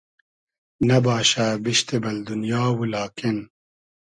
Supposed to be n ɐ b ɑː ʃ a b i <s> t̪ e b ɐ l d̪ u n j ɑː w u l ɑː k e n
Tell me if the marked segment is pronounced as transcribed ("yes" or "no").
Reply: no